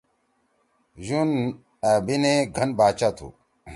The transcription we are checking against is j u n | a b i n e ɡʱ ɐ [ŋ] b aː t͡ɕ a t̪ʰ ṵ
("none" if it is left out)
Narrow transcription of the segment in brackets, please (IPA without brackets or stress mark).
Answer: n